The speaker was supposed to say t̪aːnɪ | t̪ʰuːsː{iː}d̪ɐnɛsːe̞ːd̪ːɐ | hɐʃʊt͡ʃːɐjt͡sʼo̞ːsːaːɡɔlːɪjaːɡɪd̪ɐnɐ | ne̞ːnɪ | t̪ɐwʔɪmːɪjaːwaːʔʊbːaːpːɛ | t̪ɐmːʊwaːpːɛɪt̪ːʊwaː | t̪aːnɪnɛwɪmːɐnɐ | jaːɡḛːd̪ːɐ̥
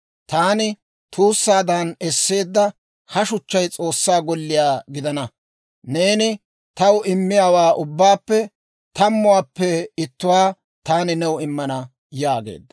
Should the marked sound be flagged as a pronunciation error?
yes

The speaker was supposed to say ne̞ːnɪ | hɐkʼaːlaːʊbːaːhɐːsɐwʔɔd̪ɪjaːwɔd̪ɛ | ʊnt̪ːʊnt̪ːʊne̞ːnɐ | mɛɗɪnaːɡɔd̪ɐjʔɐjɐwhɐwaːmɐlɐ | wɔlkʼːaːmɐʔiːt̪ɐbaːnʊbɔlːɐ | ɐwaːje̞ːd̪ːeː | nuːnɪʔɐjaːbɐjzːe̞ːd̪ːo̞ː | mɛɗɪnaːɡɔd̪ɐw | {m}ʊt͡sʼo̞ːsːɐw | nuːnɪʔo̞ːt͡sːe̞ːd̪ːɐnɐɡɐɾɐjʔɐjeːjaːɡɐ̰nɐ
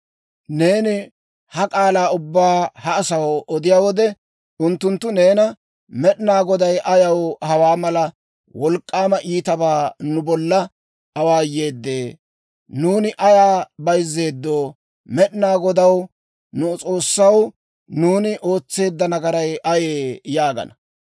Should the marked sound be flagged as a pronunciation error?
yes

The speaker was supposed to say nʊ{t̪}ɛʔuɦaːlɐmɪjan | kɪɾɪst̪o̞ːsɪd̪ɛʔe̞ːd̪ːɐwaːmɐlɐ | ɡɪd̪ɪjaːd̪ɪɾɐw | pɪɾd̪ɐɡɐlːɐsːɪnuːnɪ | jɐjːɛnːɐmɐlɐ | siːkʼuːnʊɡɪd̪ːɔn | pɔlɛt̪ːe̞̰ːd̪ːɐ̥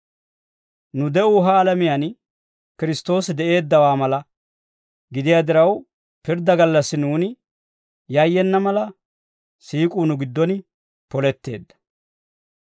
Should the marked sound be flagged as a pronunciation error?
yes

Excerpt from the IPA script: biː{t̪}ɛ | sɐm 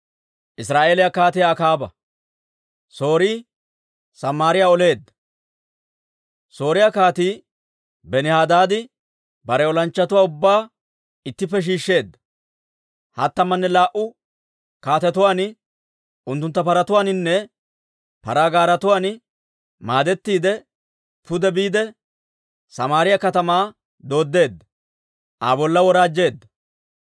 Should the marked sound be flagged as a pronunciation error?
yes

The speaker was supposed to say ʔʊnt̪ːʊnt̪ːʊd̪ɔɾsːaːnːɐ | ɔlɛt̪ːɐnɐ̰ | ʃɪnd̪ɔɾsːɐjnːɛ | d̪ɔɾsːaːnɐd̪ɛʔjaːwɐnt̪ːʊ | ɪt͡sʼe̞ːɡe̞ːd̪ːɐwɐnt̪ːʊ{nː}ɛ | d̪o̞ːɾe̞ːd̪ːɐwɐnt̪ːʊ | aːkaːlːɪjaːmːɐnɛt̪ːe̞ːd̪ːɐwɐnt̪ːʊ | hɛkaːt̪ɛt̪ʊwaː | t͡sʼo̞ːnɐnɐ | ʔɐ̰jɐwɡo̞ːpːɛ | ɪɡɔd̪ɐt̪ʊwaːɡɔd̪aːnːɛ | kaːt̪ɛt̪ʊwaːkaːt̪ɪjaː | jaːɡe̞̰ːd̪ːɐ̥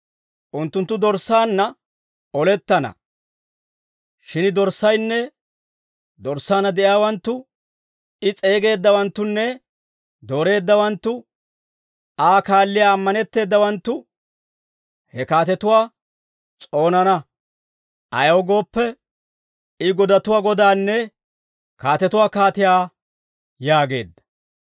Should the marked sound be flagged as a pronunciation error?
no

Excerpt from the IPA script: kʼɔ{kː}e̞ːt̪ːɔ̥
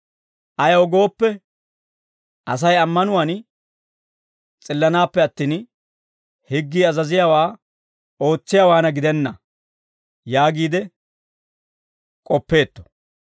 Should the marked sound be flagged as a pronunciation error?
yes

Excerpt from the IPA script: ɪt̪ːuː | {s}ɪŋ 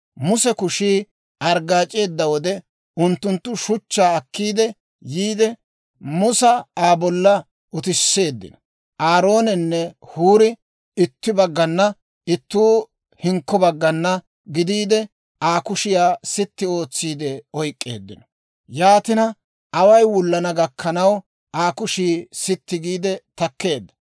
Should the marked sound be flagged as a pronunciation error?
yes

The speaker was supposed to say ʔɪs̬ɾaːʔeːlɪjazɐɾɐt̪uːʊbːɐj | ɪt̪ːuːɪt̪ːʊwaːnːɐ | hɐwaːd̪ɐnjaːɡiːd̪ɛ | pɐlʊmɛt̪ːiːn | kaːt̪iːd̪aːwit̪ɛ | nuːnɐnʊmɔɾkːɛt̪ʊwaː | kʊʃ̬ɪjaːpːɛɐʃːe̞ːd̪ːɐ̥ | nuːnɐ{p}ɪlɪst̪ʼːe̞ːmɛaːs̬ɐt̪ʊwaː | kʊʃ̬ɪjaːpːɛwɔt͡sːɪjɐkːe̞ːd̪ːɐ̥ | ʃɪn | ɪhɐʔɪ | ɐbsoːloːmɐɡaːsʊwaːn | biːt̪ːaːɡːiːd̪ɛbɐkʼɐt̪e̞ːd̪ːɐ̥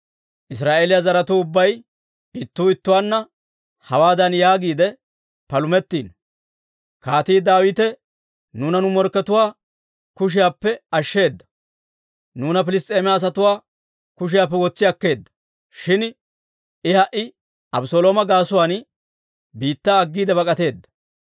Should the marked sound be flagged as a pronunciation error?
no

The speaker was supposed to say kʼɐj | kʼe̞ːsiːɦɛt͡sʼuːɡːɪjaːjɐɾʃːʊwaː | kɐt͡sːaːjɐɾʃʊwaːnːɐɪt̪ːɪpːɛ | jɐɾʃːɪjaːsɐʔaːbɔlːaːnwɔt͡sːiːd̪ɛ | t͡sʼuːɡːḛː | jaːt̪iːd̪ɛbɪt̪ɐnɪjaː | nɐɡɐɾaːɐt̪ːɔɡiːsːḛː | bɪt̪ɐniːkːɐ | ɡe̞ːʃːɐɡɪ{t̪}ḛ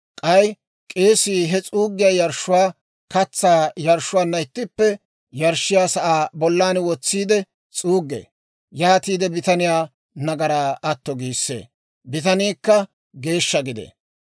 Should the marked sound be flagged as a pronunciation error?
yes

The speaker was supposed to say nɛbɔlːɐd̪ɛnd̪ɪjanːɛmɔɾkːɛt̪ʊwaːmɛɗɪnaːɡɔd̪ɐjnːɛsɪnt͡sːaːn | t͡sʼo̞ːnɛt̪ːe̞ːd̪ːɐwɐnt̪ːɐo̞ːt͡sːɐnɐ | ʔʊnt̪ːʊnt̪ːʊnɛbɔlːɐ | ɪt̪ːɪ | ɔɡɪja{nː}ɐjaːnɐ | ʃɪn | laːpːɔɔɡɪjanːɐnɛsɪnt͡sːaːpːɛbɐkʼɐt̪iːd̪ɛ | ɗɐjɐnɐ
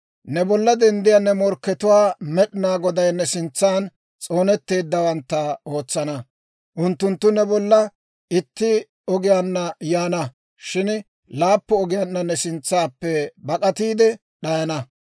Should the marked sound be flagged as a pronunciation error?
no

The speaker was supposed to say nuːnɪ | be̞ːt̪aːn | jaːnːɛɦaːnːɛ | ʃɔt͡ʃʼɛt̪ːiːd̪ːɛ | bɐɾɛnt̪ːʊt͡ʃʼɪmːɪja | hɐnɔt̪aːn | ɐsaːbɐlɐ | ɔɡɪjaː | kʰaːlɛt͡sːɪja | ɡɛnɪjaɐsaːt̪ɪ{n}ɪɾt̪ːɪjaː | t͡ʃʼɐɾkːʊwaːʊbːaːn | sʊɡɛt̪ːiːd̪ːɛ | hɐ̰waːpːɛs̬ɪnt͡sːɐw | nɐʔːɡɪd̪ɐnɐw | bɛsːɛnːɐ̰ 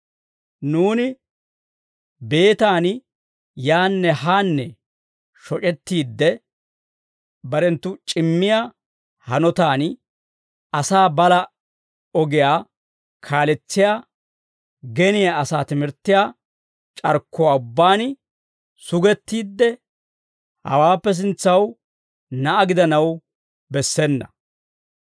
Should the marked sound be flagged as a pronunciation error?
yes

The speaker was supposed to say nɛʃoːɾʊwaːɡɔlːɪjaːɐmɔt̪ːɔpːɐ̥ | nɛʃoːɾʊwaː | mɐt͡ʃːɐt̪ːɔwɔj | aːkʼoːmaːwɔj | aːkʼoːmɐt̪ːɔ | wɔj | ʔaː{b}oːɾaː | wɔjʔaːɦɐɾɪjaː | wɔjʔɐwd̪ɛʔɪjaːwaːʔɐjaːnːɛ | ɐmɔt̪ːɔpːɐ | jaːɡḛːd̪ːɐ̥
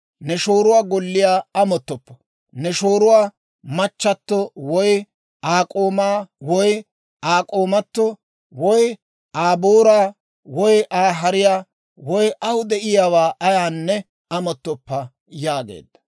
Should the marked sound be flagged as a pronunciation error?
no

